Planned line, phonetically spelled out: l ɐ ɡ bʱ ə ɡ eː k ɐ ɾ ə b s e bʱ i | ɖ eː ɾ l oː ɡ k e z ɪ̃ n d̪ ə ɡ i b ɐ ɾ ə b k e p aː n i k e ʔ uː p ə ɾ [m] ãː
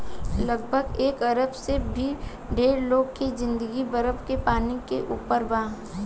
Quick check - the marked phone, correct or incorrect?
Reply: incorrect